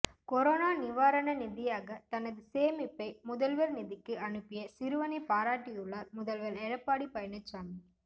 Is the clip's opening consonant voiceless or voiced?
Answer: voiceless